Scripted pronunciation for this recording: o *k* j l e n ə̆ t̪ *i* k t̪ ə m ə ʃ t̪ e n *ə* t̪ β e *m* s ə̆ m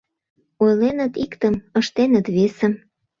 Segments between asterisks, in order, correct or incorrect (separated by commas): incorrect, correct, correct, incorrect